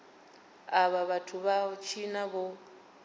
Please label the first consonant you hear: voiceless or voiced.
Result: voiced